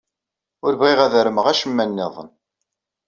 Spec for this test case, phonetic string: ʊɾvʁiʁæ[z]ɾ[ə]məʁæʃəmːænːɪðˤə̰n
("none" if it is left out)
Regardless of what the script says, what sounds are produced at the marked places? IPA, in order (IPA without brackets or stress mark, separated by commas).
ð, ə